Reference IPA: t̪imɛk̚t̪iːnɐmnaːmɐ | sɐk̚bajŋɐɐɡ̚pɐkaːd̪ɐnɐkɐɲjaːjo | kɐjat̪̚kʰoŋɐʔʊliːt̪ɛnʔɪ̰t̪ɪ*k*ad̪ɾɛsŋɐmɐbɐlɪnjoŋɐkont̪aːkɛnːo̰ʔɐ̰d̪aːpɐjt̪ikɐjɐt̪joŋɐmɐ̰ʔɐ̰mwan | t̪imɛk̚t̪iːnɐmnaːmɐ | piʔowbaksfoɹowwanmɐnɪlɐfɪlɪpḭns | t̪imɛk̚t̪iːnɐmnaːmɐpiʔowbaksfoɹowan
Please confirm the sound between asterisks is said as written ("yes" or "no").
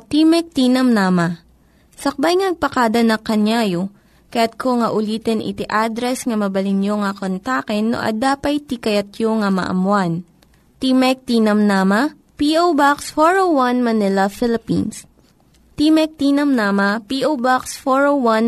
no